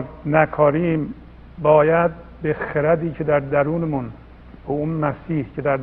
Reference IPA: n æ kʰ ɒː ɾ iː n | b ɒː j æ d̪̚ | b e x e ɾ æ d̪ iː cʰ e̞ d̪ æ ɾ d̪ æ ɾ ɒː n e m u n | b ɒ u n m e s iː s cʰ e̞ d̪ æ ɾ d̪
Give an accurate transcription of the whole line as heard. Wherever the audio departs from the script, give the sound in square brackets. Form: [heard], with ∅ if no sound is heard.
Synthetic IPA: n æ kʰ ɒː ɾ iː [m] | b ɒː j æ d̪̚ | b e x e ɾ æ d̪ iː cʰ e̞ d̪ æ ɾ d̪ æ ɾ [uː] n e m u n | b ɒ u n m [æ] s iː [h] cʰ e̞ d̪ æ ɾ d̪